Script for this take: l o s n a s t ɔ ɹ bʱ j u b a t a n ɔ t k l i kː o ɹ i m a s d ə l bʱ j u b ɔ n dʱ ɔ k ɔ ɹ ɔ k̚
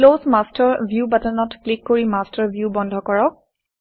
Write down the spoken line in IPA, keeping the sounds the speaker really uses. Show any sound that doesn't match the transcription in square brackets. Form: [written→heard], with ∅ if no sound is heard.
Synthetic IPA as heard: l o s [n→m] a s t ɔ ɹ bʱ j u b a t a n ɔ t k l i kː o ɹ i m a s [d→t] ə [l→ɹ] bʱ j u b ɔ n dʱ ɔ k ɔ ɹ ɔ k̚